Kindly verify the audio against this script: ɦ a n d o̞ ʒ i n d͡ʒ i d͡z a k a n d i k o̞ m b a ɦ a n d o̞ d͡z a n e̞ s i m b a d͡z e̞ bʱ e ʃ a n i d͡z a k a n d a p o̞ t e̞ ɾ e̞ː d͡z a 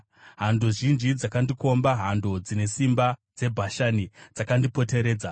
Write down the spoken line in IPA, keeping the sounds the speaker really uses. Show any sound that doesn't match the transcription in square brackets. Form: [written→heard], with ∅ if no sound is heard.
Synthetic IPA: ɦ a n d o̞ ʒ i n d͡ʒ i d͡z a k a n d i k o̞ m b a ɦ a n d o̞ d͡z [a→i] n e̞ s i m b a d͡z e̞ bʱ [e→a] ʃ a n i d͡z a k a n d [a→i] p o̞ t e̞ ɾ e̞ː d͡z a